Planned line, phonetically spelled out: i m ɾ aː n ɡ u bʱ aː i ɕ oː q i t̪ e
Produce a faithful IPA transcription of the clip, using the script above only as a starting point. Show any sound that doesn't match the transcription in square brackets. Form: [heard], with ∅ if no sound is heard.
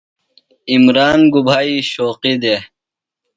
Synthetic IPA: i m ɾ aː n ɡ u bʱ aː i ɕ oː q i [d̪] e